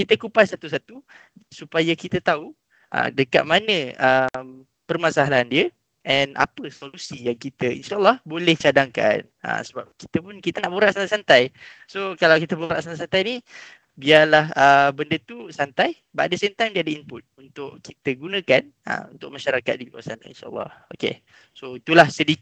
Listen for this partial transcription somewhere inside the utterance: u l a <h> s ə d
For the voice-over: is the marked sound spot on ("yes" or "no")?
yes